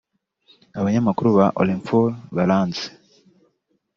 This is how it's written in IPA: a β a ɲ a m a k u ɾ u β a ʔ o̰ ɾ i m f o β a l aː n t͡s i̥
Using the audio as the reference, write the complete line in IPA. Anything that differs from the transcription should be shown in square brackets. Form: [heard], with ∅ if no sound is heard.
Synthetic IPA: a β a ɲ a m a k u ɾ u β a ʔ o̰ [l] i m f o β a l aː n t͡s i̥

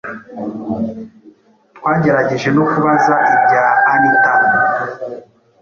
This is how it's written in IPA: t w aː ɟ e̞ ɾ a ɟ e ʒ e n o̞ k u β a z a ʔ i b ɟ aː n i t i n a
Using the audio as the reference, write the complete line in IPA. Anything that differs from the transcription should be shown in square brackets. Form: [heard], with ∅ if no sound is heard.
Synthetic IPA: t w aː ɟ e̞ ɾ a ɟ e ʒ e n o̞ k u β a z a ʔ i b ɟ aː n i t [a] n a

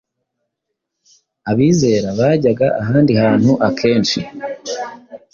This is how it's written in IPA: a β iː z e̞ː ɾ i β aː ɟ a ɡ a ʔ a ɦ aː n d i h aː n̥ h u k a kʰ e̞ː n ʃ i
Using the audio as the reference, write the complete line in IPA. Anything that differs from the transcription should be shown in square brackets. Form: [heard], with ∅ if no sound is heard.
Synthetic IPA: a β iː z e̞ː ɾ [a] β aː ɟ a ɡ a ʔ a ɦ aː n d i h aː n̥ h u [ʔ] a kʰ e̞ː n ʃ i

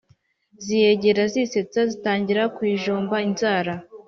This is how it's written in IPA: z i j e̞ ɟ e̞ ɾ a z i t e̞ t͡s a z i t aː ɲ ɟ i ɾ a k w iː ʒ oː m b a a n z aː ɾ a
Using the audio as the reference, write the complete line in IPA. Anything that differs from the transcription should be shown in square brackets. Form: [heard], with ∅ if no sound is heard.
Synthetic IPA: z i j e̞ ɟ e̞ ɾ a z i [s] e̞ t͡s a z i t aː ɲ ɟ i ɾ a k w iː ʒ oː m b a [i] n z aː ɾ a

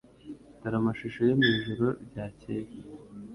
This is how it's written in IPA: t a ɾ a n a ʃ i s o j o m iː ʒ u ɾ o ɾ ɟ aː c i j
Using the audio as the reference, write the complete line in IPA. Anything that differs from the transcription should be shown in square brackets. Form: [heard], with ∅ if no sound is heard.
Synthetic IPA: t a ɾ a [m] a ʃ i [ʃ] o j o m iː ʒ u ɾ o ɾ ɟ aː c [e] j

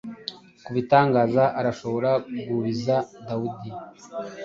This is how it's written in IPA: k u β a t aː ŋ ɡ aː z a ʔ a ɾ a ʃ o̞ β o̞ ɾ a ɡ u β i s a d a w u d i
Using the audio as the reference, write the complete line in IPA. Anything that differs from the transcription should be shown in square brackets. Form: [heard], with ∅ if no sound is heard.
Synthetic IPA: k u β [i] t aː ŋ ɡ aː z a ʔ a ɾ a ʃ o̞ β o̞ ɾ a ɡ u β i [z] a d a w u d i

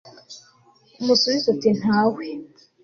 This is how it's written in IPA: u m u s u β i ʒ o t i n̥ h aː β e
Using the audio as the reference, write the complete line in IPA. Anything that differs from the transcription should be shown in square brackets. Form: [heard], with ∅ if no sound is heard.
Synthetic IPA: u m u s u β i [z] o t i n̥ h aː [w] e

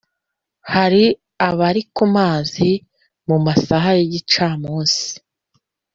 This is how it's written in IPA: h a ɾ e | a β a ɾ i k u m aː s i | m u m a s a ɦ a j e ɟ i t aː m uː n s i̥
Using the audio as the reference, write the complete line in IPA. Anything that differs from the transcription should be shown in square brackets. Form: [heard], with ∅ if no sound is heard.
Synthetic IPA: h a ɾ [i] | a β a ɾ i k u m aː [z] i | m u m a s a ɦ a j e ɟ i [t͡ʃ] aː m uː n s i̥

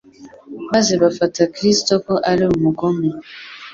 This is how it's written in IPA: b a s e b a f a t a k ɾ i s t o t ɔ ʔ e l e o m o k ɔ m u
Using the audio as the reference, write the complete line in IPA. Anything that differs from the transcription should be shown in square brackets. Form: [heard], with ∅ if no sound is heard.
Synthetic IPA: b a [z] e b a f a t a k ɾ i s t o [k] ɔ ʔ [a] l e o m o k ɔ m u

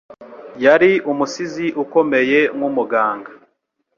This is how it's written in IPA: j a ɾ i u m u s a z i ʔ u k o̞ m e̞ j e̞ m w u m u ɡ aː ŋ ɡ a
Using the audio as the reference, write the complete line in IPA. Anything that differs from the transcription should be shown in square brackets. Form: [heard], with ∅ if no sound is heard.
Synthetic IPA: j a ɾ i u m u s [i] z i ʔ u k o̞ m e̞ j e̞ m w u m u ɡ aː ŋ ɡ a

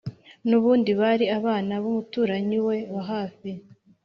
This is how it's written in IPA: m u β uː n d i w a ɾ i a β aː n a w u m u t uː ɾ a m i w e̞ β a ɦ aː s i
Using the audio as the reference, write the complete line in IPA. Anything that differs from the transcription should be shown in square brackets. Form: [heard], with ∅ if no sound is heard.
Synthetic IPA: [n] u β uː n d i [β] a ɾ i a β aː n a [β] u m u t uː ɾ a [ɲ] i w e̞ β a ɦ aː [f] i

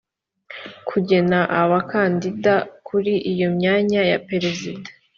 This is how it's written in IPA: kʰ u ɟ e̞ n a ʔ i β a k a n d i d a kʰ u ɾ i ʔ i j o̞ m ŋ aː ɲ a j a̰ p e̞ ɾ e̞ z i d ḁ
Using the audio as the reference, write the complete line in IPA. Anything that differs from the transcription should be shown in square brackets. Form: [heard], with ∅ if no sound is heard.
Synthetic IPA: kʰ u ɟ e̞ n a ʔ [a] β a k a n d i d a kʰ u ɾ i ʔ i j o̞ m [ɲ] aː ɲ a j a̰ p e̞ ɾ e̞ z i d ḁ

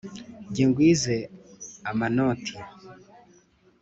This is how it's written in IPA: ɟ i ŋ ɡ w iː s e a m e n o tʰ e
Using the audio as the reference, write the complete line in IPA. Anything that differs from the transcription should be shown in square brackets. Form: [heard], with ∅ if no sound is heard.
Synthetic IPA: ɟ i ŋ ɡ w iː [z] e a m [a] n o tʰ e

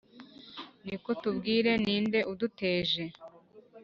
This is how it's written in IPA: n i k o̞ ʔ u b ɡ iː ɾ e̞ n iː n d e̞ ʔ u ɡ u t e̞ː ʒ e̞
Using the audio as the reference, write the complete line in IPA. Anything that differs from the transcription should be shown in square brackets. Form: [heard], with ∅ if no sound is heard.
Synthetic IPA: n i k o̞ [t] u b ɡ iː ɾ e̞ n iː n d e̞ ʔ u [d] u t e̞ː ʒ e̞

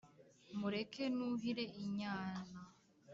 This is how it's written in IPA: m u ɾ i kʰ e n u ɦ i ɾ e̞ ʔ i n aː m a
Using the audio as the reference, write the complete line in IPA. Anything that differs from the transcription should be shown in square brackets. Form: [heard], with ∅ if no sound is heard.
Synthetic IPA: m u ɾ [e] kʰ e n u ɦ i ɾ e̞ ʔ i [ɲ] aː [n] a

